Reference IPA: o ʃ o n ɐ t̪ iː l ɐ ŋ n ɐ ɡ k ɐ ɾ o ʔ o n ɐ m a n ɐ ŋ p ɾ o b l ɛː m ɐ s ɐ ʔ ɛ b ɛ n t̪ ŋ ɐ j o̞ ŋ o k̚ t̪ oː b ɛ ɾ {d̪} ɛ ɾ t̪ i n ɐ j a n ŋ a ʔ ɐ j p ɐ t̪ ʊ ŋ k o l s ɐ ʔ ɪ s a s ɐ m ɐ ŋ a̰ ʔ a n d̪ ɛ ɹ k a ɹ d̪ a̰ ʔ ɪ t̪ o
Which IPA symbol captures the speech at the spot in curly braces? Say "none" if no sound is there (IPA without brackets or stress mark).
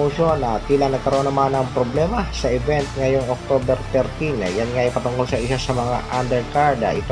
t̪